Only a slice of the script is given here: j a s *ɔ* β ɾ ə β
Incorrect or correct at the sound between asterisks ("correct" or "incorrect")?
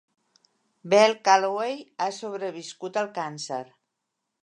incorrect